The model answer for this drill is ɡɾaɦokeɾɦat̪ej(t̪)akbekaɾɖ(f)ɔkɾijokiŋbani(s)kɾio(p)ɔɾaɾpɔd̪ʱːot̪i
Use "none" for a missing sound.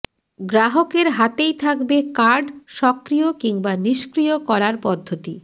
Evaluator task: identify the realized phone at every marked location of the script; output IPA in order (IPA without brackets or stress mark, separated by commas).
t̪ʰ, ʃ, ʃ, k